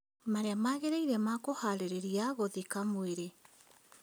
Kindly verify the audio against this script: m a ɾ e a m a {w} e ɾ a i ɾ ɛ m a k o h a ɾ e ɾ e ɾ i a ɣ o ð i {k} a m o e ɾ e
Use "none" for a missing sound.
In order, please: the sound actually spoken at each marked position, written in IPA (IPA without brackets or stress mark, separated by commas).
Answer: ɣ, k